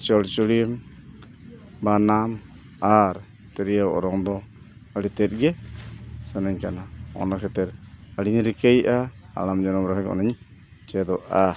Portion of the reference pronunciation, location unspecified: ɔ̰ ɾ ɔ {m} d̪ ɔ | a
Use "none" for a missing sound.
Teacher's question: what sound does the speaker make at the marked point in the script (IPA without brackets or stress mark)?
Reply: ŋ